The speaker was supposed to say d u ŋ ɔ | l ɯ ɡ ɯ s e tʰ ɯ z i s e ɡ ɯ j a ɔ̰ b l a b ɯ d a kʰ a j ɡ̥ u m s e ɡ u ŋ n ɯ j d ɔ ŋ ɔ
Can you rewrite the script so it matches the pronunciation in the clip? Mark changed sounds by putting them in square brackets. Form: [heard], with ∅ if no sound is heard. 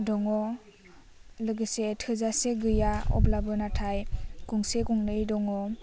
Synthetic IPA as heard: d [ɔ] ŋ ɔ | l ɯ ɡ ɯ s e tʰ ɯ z [a] s e ɡ ɯ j a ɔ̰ b l a b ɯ [n] a [tʰ] a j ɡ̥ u [ŋ] s e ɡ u ŋ n ɯ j d ɔ ŋ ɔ